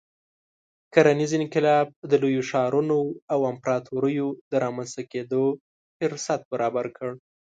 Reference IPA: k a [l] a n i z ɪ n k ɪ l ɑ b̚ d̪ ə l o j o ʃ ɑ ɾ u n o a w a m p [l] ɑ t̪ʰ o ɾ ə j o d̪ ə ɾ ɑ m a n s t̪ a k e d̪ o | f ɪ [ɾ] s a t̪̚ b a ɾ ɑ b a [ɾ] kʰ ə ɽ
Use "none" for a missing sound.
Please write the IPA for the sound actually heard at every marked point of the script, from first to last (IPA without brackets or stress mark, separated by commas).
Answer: ɾ, ɾ, ɾ, ɾ